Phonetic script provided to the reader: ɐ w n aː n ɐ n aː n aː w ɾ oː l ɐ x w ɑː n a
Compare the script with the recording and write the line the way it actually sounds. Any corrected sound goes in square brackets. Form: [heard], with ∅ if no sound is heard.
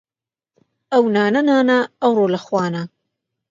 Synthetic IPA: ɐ w n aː n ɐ n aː n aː w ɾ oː l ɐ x w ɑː n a